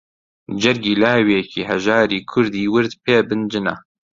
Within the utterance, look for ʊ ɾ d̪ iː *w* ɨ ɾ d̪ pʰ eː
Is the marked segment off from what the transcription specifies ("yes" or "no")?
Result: no